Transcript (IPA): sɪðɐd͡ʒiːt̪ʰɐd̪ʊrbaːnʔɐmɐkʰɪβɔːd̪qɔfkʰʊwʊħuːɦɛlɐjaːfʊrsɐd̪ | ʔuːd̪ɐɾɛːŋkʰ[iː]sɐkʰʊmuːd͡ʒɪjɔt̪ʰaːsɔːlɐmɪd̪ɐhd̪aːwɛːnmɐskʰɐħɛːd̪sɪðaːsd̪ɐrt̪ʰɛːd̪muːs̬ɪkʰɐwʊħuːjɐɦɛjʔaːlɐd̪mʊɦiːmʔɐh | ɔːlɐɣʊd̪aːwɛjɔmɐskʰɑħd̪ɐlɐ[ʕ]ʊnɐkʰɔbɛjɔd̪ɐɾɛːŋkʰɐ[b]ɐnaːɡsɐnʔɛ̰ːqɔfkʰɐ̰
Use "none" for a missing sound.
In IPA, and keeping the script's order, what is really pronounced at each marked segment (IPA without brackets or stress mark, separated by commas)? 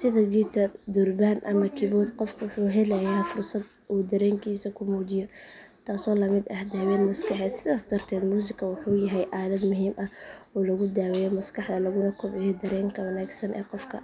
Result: iː, ɣ, w